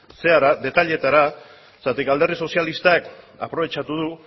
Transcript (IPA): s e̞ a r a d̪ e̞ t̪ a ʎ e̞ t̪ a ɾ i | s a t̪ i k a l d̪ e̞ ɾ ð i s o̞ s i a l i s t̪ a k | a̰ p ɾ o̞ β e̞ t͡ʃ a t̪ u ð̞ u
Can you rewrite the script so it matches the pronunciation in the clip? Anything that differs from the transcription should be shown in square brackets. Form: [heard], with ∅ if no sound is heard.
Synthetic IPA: s e̞ a [ɾ] a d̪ e̞ t̪ a ʎ e̞ t̪ a ɾ [a] | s a t̪ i k a l d̪ e̞ [r] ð i s o̞ s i a l i s t̪ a k | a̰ p ɾ o̞ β e̞ t͡ʃ a t̪ u ð̞ u